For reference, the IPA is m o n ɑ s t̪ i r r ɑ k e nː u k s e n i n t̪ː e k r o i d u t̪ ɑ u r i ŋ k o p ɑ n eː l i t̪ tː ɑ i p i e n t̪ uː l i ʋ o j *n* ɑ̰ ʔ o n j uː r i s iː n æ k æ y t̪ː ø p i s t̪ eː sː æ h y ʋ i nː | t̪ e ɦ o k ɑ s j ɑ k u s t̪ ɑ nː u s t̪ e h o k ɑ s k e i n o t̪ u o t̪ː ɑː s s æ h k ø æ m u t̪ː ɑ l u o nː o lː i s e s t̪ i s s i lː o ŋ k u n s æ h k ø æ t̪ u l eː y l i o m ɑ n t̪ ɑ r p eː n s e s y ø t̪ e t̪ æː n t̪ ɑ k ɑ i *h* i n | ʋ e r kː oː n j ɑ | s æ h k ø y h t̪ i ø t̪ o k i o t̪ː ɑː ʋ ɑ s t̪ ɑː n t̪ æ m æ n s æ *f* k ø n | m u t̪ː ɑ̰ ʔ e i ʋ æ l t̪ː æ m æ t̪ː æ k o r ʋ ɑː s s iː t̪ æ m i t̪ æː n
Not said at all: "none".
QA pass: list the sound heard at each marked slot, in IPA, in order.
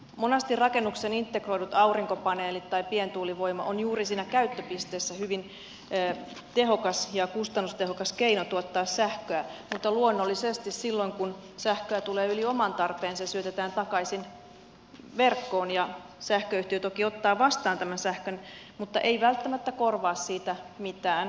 m, s, h

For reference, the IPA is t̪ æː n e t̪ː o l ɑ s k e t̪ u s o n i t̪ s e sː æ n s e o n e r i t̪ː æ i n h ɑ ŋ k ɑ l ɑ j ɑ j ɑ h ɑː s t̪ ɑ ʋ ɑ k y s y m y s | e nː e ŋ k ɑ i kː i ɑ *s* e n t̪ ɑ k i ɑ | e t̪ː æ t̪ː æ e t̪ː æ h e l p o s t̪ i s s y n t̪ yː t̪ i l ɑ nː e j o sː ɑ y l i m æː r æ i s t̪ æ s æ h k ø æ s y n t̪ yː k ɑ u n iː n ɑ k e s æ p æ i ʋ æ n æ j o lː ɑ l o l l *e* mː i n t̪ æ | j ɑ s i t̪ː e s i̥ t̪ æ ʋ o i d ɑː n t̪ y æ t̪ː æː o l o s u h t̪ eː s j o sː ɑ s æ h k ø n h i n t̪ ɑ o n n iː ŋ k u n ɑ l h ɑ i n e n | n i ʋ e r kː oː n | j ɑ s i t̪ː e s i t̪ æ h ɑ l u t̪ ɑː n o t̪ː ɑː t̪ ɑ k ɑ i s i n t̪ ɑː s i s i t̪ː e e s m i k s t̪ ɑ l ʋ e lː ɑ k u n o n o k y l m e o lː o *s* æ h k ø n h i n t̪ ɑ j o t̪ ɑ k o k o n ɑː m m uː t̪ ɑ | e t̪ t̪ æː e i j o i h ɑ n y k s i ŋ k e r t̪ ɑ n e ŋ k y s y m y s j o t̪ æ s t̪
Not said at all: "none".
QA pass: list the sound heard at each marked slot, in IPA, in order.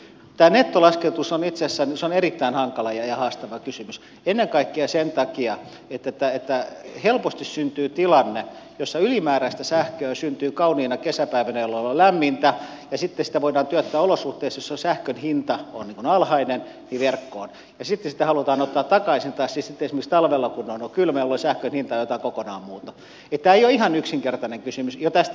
s, æ, s

